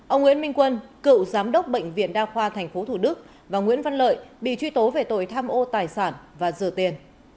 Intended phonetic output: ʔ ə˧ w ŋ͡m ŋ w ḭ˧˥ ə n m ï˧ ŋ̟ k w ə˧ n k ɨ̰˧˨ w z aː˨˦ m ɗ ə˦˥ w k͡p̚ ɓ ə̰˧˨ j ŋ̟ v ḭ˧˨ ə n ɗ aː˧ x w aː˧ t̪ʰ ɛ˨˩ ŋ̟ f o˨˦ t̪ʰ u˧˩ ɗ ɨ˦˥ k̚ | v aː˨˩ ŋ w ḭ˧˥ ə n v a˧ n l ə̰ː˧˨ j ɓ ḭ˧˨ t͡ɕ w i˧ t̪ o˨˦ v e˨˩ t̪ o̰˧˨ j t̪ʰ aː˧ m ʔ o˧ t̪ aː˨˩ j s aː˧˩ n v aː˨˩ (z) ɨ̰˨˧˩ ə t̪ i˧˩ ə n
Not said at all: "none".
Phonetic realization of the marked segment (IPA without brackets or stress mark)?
z